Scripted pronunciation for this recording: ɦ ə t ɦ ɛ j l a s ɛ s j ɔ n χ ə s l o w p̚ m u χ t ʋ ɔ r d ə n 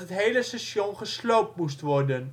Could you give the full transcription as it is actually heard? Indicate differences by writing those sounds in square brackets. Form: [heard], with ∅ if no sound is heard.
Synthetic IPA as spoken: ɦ ə t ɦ [e] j l [ə] s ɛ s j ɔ n χ ə s l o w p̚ m u [s] t ʋ ɔ r d ə n